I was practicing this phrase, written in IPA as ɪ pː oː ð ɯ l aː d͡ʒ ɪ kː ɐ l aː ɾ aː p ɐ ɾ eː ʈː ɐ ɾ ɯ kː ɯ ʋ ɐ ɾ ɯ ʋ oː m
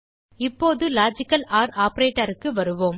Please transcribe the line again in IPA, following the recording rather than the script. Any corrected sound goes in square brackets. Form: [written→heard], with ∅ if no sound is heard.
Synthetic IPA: ɪ pː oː ð ɯ l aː d͡ʒ ɪ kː ɐ l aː ɾ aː p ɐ ɾ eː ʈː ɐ ɾ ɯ kː ɯ ʋ ɐ ɾ ɯ ʋ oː m